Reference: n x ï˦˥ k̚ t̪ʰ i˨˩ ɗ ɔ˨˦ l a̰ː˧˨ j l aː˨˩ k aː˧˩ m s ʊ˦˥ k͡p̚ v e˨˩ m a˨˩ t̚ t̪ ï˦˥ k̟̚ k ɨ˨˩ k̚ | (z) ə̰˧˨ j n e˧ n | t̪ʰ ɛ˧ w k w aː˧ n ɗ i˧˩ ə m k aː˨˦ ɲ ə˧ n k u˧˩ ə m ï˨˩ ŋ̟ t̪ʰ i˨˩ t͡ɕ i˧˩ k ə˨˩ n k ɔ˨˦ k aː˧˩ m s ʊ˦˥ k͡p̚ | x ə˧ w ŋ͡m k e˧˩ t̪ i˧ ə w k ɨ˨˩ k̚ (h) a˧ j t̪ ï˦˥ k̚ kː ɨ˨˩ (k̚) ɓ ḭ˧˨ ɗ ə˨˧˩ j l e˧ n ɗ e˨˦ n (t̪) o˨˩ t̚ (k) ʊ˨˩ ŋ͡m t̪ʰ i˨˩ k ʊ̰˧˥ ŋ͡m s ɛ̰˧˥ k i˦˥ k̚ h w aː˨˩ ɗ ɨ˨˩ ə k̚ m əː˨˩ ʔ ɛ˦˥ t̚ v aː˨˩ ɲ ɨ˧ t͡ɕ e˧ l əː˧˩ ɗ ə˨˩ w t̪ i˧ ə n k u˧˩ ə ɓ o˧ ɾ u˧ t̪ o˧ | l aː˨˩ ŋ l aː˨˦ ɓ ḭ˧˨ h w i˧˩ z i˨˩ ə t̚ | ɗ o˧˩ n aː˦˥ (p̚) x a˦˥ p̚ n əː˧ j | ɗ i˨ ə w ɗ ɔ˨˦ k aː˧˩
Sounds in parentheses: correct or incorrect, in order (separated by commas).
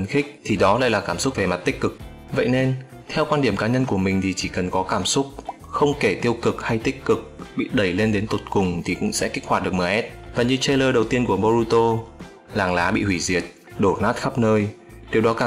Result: incorrect, correct, correct, correct, correct, incorrect